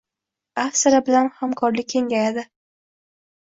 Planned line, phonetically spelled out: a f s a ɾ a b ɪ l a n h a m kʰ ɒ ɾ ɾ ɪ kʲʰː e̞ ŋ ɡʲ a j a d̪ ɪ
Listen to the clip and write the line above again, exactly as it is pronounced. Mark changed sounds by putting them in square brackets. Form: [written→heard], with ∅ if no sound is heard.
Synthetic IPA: a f s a ɾ a b ɪ l a n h a m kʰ ɒ ɾ [ɾ→l] ɪ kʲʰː e̞ ŋ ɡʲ a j a d̪ ɪ